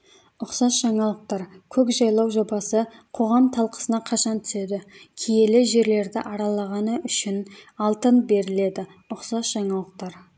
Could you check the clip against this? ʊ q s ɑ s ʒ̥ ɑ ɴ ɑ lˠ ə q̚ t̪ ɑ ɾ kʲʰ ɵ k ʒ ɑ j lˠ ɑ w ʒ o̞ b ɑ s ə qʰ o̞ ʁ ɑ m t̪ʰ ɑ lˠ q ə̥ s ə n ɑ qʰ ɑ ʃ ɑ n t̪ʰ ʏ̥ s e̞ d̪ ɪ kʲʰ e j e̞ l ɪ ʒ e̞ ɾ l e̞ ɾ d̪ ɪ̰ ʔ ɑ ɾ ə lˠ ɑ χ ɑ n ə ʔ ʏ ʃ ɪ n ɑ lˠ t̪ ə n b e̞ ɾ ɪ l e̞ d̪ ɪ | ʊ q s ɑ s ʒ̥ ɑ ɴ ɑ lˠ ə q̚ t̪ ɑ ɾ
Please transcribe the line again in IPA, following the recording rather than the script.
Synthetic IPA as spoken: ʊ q s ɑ s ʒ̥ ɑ ɴ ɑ lˠ ə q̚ t̪ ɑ ɾ kʲʰ ɵ k ʒ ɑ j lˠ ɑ w ʒ o̞ b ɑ s ə qʰ o̞ ʁ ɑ m t̪ʰ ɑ lˠ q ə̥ s ə n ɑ qʰ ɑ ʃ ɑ n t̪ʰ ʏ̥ s e̞ d̪ ɪ kʲʰ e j e̞ l ɪ ʒ e̞ ɾ l e̞ ɾ d̪ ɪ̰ ʔ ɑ ɾ ɑ lˠ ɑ ʁ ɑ n ə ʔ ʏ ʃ ɪ n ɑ lˠ t̪ ə n b e̞ ɾ ɪ l e̞ d̪ ɪ | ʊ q s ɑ s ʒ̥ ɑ ɴ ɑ lˠ ə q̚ t̪ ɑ ɾ